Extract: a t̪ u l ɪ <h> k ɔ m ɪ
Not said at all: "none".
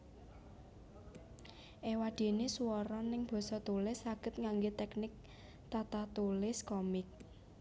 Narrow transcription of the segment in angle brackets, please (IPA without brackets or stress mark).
s